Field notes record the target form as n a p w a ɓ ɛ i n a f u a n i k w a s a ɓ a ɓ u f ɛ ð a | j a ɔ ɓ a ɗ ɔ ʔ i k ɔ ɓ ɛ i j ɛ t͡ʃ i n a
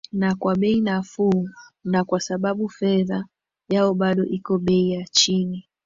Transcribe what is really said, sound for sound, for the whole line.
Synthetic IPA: n a k w a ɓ ɛ i n a f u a n a k w a s a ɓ a ɓ u f ɛ ð a | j a ɔ ɓ a ɗ ɔ ʔ i k ɔ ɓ ɛ i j a t͡ʃ i n i